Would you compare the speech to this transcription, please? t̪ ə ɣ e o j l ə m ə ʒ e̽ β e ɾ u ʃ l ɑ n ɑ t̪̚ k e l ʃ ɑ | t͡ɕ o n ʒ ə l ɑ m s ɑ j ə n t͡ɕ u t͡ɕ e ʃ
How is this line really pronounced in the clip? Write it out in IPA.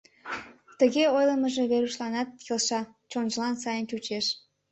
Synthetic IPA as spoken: t̪ ə ɣ e o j l ə m ə ʒ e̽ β e ɾ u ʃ l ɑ n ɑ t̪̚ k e l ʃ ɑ | t͡ɕ o n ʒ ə l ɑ n s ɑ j ə n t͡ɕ u t͡ɕ e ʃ